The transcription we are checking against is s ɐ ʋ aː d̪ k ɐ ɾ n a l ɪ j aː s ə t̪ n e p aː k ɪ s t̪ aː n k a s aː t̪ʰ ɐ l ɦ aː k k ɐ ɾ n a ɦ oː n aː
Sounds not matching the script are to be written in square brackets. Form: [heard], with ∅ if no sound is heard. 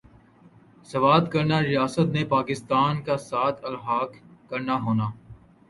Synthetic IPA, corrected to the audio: s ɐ ʋ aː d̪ k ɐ ɾ n a [ɾ] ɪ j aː s ə t̪ n e p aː k ɪ s t̪ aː n k a s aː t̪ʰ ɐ l ɦ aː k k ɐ ɾ n a ɦ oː n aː

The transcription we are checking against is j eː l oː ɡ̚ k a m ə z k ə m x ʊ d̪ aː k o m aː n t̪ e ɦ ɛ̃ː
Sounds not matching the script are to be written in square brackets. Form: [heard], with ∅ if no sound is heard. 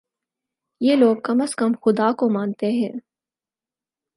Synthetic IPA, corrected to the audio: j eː l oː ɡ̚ k [ɐ] m ə [s] k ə m x ʊ d̪ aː k o m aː n t̪ e ɦ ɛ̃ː

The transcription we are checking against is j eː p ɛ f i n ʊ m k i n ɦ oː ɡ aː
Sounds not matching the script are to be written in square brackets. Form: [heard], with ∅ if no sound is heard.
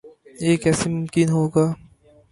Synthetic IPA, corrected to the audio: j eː [k] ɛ [s] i [m] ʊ m k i n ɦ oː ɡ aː

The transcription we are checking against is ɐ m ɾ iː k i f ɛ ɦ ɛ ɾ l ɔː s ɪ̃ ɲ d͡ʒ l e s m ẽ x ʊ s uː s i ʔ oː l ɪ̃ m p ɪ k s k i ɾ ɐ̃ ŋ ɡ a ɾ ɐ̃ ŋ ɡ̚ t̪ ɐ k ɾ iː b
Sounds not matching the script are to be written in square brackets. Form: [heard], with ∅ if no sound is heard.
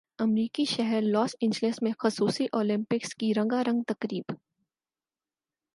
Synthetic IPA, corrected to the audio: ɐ m ɾ iː k i [ʃ] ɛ ɦ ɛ ɾ l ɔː s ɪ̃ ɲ d͡ʒ l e s m ẽ x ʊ s uː s i ʔ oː l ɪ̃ m p ɪ k s k i ɾ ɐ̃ ŋ ɡ a ɾ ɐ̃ ŋ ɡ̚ t̪ ɐ k ɾ iː b

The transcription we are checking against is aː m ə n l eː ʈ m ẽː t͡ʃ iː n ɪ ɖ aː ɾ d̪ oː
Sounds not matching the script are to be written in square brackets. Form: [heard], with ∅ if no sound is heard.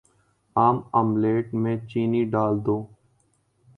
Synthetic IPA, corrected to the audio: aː m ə [m] l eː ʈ m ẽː t͡ʃ iː n [i] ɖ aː [l] d̪ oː

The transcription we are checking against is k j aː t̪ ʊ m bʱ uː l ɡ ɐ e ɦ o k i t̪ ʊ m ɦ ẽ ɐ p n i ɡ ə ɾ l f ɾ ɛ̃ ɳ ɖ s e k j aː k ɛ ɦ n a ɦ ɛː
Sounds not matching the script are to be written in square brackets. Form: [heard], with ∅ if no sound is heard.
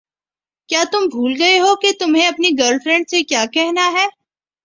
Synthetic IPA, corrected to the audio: k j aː t̪ ʊ m bʱ uː l ɡ ɐ e ɦ o k [e] t̪ ʊ m ɦ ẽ ɐ p n i ɡ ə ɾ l f ɾ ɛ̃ ɳ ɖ s e k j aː k ɛ ɦ n a ɦ ɛː

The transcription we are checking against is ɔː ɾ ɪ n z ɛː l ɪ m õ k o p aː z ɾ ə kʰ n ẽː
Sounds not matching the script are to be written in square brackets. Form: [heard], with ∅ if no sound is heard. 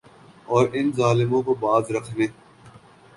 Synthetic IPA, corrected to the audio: ɔː ɾ ɪ n z [aː] l ɪ m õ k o [b] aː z ɾ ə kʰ n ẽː

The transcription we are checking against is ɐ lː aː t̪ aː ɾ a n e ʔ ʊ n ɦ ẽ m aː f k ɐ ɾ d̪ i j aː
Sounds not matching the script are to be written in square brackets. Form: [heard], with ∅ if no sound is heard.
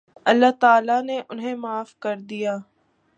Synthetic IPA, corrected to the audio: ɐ lː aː t̪ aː [l] a n e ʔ ʊ n ɦ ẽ m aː f k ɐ ɾ d̪ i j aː

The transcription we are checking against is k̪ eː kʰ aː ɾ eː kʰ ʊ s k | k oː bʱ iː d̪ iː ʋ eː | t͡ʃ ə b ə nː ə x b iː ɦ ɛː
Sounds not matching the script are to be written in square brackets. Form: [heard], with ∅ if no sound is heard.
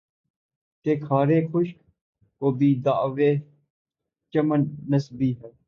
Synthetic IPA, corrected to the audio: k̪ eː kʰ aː ɾ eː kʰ ʊ [ʃ] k | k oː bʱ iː d̪ [aː] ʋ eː | t͡ʃ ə [m] ə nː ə [s] b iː ɦ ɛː

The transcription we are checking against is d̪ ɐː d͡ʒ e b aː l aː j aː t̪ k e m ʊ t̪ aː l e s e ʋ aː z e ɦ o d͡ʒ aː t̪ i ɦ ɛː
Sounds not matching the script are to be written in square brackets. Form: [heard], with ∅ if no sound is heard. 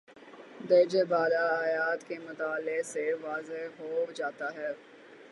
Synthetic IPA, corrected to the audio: d̪ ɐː d͡ʒ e b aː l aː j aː t̪ k e m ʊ t̪ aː l e s e ʋ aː z e ɦ o d͡ʒ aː t̪ [a] ɦ ɛː

